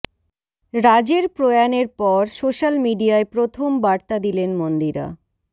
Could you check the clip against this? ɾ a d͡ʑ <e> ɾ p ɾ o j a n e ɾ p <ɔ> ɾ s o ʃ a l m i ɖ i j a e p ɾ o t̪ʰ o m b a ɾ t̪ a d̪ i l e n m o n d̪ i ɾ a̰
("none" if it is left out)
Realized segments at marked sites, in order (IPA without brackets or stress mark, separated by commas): e, ɔ